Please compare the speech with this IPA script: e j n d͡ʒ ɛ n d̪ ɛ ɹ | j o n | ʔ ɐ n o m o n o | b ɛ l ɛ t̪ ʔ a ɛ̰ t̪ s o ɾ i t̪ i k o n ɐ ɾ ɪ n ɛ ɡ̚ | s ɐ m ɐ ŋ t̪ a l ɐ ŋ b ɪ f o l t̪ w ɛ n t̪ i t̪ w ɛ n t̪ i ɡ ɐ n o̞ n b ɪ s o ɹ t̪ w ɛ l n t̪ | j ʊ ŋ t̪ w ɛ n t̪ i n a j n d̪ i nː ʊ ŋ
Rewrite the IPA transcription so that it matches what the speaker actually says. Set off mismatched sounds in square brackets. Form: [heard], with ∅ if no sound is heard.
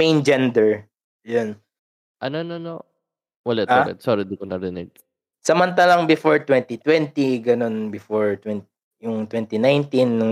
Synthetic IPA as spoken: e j n d͡ʒ ɛ n d̪ ɛ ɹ | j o n | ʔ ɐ n o [n] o n o | [w] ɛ l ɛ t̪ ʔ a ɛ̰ t̪ s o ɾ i [d̪] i k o n ɐ ɾ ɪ n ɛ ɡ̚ | s ɐ m ɐ [n] t̪ a l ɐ ŋ b ɪ f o [ɹ] t̪ w ɛ n t̪ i t̪ w ɛ n t̪ i ɡ ɐ n o̞ n b ɪ [f] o ɹ t̪ w ɛ [∅] n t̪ | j ʊ ŋ t̪ w ɛ n t̪ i n a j n [t̪] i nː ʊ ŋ